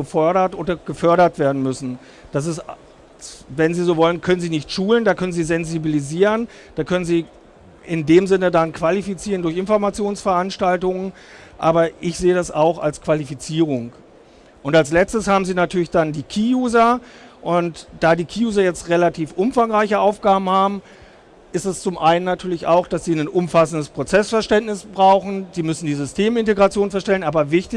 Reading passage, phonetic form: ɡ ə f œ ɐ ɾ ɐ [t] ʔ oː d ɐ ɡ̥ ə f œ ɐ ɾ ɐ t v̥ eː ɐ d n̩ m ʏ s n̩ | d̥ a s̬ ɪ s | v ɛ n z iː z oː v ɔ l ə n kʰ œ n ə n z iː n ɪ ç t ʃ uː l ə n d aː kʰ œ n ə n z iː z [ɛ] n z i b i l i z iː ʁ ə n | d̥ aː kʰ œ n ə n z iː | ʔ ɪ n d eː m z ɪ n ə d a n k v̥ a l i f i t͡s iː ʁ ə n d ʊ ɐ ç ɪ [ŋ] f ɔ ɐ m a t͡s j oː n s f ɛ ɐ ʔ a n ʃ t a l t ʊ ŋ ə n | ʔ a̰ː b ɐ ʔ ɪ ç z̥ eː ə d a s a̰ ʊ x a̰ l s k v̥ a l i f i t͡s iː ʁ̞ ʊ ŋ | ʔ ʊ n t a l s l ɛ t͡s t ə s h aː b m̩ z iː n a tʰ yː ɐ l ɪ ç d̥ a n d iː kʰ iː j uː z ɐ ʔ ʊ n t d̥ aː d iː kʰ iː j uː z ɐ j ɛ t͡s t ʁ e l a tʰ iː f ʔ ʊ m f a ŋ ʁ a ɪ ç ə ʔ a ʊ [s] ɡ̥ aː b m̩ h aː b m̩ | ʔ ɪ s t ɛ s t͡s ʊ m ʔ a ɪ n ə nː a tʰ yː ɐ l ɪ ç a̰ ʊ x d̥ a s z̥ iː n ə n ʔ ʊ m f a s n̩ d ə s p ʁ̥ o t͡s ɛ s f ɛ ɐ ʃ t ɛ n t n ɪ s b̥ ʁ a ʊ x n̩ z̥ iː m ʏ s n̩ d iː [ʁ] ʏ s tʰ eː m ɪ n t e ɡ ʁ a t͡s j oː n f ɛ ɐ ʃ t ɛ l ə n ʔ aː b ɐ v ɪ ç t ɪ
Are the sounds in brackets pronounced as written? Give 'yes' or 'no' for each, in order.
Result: yes, yes, no, no, no

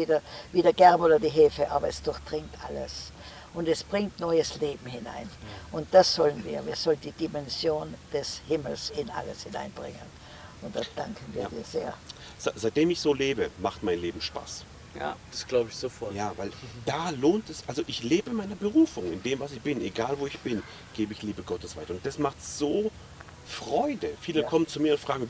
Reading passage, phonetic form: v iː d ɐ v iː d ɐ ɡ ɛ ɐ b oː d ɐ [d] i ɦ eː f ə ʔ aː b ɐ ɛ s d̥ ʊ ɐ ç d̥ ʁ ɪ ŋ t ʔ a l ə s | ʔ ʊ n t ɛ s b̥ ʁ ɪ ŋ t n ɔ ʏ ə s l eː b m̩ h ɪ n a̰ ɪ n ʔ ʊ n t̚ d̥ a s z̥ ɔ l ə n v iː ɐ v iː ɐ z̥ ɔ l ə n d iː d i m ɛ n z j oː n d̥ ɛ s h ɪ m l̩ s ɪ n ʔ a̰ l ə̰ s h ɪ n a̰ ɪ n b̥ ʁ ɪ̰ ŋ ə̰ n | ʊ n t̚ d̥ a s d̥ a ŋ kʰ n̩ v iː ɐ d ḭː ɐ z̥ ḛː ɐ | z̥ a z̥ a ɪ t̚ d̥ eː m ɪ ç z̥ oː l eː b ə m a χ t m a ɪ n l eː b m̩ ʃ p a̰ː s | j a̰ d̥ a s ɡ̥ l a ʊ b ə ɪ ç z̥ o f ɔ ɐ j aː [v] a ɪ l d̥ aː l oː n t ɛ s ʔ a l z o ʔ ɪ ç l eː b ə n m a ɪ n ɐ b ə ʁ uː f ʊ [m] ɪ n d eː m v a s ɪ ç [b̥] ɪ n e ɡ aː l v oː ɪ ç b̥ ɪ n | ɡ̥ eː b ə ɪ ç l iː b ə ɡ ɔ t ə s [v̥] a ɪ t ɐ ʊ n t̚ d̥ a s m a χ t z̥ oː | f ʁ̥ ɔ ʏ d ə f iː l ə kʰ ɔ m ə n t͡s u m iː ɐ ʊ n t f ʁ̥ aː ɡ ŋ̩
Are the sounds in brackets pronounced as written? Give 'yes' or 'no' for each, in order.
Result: yes, yes, no, yes, yes

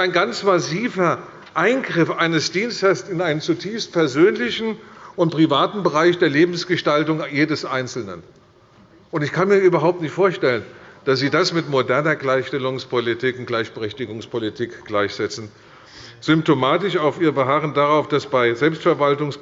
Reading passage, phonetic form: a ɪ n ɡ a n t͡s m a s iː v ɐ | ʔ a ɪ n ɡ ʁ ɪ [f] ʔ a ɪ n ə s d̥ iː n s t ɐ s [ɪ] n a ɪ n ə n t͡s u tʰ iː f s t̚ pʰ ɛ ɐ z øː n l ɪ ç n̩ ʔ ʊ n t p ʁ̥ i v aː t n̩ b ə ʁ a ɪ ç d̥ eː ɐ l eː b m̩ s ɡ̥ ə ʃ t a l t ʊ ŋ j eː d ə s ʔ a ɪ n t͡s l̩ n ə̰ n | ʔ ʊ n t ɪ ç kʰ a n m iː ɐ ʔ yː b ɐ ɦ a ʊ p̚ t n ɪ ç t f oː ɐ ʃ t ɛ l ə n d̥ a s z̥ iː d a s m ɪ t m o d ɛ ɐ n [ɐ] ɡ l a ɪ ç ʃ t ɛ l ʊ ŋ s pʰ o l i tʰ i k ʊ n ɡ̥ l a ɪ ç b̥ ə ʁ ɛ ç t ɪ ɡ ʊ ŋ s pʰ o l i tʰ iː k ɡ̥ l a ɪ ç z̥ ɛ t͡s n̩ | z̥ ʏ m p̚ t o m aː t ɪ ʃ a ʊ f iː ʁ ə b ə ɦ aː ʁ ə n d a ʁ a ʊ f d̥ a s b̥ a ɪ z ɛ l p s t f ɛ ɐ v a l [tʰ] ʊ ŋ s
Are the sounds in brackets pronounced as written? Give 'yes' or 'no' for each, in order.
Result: yes, yes, yes, no

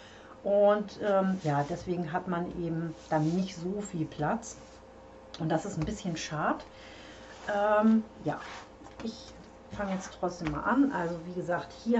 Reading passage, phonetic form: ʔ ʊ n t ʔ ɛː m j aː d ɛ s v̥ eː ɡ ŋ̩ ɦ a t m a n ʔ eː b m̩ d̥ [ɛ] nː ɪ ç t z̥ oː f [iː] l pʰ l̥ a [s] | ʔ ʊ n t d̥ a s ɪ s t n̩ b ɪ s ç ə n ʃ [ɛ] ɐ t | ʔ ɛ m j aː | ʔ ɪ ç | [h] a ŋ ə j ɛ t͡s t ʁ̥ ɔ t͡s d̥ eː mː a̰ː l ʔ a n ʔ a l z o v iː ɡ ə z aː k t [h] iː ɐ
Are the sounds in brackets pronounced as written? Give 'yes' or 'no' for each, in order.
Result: no, yes, no, no, no, yes

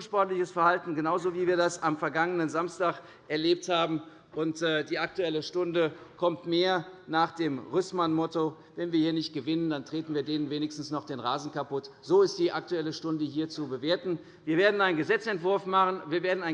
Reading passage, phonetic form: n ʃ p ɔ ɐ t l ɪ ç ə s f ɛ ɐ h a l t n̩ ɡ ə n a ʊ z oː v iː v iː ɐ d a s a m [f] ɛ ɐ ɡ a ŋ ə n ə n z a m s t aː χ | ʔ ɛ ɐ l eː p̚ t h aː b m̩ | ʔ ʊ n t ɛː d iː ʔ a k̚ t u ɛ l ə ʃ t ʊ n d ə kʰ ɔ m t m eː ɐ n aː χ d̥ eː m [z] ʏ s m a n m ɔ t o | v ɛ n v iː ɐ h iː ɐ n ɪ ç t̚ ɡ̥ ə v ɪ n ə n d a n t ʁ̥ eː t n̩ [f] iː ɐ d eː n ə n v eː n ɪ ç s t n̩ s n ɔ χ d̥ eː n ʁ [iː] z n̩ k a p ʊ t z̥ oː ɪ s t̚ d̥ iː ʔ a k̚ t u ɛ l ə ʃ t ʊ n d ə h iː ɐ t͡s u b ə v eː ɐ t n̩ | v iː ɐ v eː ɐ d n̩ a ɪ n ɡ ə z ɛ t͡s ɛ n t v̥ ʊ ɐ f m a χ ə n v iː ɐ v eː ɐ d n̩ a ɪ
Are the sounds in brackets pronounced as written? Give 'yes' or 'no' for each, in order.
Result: yes, no, no, no

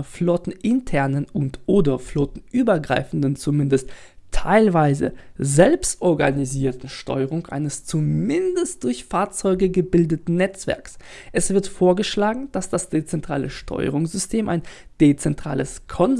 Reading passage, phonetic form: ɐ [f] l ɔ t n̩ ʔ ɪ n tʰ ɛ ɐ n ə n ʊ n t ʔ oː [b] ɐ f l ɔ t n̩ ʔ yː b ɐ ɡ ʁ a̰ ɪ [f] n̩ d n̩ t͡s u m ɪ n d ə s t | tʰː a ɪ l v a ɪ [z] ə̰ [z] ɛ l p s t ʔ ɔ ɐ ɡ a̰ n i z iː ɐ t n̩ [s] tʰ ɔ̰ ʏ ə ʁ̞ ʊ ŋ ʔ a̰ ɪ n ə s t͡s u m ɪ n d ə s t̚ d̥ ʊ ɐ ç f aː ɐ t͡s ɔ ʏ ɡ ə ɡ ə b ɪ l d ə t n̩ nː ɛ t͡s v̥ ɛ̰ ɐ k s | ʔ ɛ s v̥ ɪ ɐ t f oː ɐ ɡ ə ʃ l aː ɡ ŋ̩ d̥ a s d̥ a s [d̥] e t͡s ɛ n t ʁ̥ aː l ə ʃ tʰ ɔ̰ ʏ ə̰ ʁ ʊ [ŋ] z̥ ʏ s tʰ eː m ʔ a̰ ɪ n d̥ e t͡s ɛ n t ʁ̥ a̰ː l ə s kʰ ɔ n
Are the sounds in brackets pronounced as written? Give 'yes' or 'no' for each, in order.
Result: yes, no, yes, yes, yes, no, yes, yes

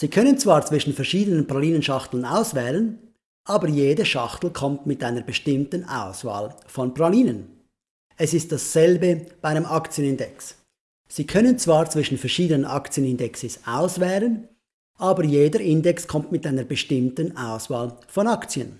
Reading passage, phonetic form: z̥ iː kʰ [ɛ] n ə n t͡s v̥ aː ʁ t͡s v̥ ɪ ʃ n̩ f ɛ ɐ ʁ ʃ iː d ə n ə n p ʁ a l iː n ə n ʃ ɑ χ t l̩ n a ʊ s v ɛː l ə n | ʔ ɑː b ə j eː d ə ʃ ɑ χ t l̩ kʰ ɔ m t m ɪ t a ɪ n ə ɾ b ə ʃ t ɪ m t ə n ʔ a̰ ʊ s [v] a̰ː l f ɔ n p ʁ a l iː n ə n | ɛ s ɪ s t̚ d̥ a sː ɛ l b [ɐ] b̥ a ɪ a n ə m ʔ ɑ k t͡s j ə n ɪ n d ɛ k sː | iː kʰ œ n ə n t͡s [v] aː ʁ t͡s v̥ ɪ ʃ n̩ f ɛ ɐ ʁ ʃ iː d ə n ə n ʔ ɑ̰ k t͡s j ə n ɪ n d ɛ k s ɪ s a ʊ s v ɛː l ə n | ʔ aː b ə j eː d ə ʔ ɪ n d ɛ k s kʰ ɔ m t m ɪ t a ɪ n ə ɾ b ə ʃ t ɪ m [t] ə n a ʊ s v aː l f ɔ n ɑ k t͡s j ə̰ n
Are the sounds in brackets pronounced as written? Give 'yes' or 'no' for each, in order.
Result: no, yes, no, yes, yes

